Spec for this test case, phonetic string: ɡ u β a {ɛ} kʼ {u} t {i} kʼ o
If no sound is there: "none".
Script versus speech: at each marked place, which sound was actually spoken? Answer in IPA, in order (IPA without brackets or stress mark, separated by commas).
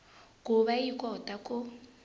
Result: i, ɔ, a